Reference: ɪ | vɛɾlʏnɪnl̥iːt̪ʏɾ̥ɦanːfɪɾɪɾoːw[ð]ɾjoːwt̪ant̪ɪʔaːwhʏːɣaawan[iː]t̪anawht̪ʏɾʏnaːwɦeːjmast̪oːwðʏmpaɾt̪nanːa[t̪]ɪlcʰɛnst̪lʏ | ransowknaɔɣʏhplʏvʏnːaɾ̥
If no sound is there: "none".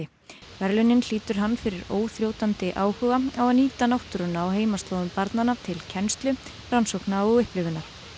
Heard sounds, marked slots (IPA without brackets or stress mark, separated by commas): θ, iː, t̪ʰ